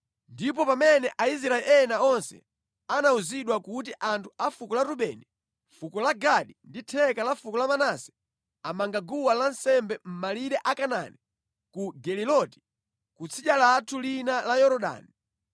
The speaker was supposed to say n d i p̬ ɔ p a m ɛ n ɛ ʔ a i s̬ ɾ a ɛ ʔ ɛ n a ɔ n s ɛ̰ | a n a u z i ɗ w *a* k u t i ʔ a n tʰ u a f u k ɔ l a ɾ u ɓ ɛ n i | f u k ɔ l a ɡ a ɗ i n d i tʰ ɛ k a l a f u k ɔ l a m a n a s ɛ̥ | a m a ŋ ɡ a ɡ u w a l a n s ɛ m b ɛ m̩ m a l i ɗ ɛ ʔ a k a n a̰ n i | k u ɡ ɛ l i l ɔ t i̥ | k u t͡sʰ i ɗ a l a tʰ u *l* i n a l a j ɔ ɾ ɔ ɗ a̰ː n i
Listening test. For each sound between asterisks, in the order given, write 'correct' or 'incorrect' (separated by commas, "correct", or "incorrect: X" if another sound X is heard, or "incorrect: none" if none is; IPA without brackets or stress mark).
correct, correct